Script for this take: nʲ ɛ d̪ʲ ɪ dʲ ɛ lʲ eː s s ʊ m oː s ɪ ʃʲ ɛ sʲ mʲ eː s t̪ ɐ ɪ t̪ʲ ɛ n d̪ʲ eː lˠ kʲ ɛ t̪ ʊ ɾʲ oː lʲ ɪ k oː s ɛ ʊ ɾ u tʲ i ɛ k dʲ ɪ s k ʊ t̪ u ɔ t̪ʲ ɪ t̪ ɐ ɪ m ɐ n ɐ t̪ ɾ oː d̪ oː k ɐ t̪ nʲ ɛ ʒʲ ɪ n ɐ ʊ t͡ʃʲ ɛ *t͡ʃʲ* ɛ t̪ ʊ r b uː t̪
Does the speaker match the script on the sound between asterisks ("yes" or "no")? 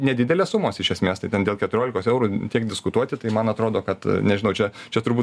yes